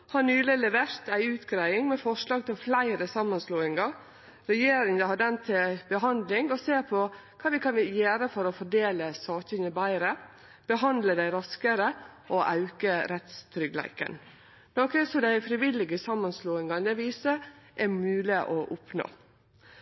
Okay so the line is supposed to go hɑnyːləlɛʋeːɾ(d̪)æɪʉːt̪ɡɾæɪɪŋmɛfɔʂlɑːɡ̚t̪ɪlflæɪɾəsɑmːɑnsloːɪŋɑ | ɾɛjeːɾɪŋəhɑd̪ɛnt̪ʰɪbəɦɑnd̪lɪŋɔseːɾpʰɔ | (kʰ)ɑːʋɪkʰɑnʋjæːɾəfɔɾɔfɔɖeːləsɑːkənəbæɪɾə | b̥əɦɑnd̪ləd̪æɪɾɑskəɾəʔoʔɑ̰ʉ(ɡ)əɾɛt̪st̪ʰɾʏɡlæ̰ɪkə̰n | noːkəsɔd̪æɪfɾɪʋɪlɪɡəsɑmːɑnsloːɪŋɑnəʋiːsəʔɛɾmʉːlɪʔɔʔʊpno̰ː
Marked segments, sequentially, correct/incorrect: incorrect, correct, incorrect

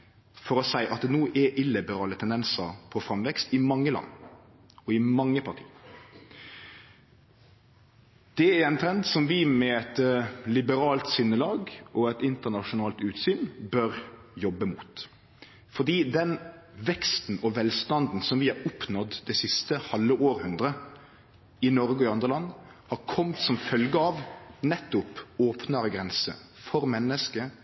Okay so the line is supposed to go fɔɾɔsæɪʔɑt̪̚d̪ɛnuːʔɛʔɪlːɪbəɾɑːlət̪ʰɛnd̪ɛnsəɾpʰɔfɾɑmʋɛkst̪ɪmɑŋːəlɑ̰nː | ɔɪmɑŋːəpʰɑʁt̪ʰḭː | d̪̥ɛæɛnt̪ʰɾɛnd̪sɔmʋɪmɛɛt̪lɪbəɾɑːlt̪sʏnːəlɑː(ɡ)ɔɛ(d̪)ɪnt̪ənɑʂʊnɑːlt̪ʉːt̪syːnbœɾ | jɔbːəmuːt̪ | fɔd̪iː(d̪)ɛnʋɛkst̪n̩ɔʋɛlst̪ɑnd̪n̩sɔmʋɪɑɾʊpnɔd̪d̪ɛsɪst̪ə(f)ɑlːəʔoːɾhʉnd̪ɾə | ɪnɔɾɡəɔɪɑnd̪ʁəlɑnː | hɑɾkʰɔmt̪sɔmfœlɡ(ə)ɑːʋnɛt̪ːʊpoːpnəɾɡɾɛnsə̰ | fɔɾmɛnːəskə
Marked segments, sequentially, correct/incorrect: correct, incorrect, correct, incorrect, correct

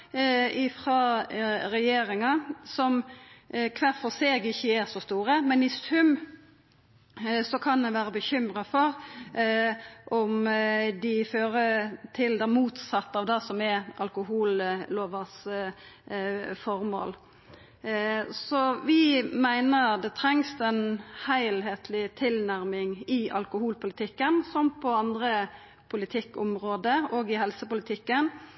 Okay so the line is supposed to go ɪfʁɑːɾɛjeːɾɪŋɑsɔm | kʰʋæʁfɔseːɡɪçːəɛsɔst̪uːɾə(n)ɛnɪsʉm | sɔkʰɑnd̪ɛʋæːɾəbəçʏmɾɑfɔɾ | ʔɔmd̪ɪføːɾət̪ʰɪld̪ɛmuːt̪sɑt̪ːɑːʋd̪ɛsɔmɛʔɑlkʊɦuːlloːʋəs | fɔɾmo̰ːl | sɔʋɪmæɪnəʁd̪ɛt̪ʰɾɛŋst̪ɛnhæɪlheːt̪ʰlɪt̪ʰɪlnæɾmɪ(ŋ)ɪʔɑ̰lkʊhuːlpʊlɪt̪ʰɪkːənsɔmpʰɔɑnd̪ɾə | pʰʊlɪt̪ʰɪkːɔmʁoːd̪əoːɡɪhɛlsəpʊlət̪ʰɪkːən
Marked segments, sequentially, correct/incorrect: incorrect, correct

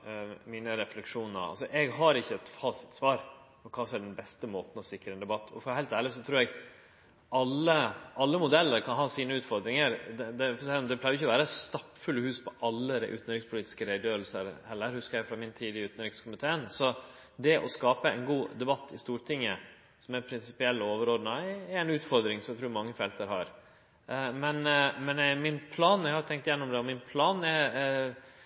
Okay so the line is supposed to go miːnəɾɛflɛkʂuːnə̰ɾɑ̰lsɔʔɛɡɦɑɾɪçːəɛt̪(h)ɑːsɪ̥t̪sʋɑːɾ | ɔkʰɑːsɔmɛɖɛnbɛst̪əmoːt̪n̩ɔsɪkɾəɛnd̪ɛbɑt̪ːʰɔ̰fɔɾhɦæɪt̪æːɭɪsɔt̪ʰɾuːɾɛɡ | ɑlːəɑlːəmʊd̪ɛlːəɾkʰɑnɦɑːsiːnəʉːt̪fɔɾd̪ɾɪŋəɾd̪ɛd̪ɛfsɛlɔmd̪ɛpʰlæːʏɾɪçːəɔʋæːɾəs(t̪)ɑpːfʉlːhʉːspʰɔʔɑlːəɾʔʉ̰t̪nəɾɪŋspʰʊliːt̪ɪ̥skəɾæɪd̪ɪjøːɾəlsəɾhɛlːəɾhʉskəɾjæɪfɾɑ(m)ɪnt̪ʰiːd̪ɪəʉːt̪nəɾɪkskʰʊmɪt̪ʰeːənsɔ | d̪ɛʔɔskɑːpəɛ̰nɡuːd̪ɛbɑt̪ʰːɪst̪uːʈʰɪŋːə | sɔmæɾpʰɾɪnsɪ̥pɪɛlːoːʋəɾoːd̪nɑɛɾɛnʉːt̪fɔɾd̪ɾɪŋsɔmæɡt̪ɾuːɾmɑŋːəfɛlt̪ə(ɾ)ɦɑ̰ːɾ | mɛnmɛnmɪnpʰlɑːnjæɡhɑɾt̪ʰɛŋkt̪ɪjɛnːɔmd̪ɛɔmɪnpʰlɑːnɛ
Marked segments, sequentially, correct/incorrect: incorrect, correct, correct, correct

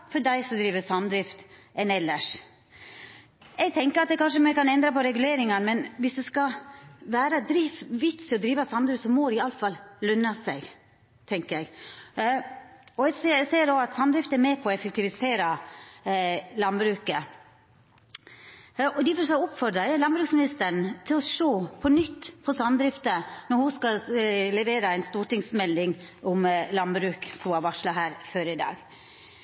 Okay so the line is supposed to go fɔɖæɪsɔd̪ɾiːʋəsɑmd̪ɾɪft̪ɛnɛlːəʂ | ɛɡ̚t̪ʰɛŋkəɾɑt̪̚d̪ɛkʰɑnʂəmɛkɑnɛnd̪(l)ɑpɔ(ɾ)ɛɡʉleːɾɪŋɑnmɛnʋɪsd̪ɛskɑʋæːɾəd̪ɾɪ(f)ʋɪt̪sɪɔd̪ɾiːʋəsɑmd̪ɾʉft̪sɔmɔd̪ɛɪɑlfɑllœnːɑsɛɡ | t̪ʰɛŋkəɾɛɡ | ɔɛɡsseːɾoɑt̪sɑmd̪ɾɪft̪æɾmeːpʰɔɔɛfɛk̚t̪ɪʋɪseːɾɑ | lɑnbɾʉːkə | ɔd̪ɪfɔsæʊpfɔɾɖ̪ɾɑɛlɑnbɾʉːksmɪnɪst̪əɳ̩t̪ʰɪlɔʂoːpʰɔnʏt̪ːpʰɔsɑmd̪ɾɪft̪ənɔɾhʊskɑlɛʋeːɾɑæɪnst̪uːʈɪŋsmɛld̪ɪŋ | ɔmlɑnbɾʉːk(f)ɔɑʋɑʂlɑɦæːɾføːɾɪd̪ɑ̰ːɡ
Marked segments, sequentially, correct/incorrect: incorrect, correct, correct, incorrect

